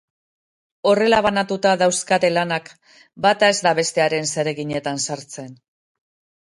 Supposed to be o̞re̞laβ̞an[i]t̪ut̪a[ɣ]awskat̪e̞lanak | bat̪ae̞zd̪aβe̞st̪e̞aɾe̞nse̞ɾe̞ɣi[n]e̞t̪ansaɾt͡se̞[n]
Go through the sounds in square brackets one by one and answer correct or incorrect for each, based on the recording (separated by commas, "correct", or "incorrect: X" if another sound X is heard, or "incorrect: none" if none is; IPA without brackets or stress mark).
incorrect: a, incorrect: ð, incorrect: ɲ, correct